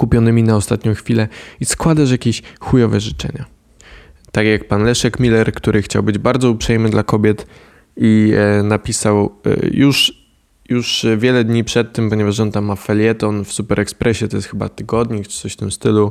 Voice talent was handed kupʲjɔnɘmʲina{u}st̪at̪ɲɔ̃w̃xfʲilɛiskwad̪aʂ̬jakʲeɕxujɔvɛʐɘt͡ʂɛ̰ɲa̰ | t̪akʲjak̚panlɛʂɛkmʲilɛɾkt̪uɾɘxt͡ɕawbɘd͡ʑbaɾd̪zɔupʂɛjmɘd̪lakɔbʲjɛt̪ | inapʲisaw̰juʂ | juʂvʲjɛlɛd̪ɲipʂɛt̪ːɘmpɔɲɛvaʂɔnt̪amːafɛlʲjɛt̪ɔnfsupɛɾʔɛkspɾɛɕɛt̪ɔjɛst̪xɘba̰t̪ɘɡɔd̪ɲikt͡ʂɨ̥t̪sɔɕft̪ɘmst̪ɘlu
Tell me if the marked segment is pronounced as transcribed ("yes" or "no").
no